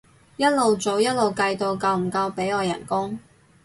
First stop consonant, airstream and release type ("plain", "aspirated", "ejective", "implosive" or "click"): plain